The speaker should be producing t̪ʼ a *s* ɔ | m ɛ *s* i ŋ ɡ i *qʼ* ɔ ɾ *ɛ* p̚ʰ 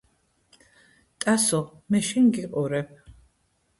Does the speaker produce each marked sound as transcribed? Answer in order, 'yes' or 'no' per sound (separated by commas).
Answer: yes, no, yes, yes